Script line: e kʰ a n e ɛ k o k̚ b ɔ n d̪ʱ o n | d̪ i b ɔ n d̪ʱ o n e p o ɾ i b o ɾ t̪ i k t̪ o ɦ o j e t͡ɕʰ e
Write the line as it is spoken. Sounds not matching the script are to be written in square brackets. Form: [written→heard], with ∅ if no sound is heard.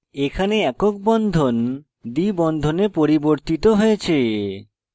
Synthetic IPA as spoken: e kʰ a n e ɛ k o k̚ b ɔ n d̪ʱ o n | d̪ i b ɔ n d̪ʱ o n e p o ɾ i b o ɾ t̪ i [k→∅] t̪ o ɦ o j e t͡ɕʰ e